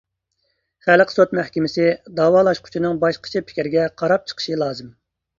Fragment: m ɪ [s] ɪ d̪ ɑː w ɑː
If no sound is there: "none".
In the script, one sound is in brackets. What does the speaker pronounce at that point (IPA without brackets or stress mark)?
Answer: s